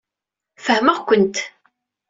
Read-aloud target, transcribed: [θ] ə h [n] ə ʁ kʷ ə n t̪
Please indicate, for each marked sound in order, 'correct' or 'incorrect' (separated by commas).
incorrect, incorrect